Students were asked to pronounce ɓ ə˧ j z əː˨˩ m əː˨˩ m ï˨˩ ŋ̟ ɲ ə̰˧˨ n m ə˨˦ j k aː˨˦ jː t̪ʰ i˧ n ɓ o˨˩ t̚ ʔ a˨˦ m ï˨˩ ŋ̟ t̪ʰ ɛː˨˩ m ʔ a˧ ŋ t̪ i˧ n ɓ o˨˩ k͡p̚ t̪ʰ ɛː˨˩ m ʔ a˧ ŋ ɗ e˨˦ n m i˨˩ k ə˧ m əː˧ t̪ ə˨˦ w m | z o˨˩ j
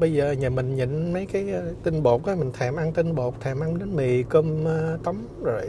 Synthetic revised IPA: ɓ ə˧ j z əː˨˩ ɲ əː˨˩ m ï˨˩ ŋ̟ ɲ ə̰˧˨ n m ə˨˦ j k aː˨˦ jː t̪ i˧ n ɓ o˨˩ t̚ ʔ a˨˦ m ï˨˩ ŋ̟ t̪ʰ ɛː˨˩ m ʔ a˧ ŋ t̪ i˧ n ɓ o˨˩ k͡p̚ t̪ʰ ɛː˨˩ m ʔ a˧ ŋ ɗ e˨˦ n m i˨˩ k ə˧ m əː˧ t̪ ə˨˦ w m | z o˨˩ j